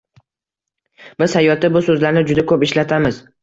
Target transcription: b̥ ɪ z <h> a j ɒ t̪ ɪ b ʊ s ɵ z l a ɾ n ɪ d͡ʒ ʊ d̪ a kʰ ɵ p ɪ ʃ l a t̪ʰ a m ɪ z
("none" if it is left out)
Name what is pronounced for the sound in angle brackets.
h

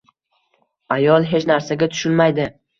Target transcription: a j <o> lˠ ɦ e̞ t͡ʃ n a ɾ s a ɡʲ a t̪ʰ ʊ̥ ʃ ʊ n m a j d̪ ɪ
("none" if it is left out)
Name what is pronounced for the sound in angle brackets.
ɒ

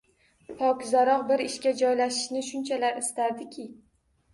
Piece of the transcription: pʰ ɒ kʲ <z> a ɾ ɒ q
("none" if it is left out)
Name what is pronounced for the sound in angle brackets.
z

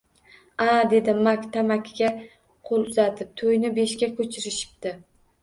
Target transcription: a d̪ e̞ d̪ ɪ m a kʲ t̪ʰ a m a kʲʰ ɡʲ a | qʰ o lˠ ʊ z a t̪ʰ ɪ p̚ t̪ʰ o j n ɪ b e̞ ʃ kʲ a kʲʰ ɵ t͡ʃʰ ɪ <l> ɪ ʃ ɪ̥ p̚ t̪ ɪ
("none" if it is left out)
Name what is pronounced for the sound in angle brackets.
ɾ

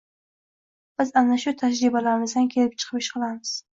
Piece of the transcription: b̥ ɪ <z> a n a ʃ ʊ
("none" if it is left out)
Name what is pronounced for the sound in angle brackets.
z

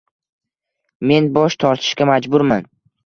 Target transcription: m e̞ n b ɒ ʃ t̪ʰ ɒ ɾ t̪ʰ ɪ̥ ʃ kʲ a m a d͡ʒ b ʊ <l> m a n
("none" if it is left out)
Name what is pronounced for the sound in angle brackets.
ɾ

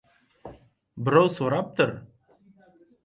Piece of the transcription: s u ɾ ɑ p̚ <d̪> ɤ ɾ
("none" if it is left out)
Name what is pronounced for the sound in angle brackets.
t̪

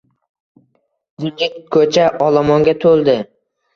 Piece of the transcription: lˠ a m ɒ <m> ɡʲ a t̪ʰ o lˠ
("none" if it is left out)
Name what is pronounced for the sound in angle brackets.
ŋ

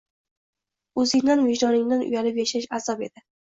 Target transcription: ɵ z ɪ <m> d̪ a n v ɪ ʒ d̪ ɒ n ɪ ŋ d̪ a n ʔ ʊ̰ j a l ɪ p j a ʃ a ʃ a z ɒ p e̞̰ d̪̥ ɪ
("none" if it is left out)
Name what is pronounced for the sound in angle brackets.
ŋ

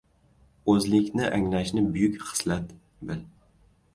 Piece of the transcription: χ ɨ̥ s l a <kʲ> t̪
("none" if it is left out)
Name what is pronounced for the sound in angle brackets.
none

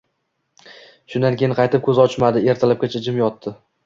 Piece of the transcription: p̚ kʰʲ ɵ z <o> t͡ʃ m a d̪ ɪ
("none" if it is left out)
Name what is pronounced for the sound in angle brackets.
ɒ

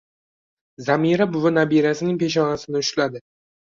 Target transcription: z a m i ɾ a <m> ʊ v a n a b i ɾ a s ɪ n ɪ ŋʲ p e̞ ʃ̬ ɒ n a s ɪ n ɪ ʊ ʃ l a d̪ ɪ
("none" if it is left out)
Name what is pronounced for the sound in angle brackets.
b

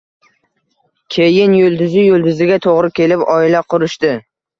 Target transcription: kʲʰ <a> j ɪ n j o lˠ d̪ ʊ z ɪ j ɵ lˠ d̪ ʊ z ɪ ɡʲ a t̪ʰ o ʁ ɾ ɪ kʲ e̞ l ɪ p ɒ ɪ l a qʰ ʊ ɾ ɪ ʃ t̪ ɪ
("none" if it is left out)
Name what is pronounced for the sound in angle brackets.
e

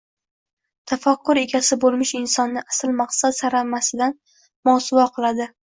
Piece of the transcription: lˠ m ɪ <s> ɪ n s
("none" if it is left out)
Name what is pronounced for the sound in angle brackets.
ʃ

